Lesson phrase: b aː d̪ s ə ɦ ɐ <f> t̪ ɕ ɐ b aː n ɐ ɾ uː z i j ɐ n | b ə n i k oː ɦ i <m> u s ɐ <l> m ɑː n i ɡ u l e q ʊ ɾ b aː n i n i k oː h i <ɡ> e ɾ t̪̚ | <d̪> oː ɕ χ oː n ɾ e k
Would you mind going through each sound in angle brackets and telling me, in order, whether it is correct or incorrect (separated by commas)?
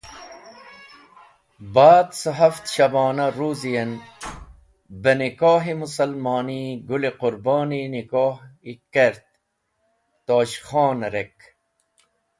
correct, correct, correct, incorrect, incorrect